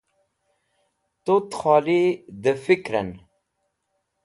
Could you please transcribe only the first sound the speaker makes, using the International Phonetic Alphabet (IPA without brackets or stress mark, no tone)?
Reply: t̪